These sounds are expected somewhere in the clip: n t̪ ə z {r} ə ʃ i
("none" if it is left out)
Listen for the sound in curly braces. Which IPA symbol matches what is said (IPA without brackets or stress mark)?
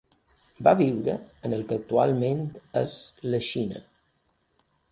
l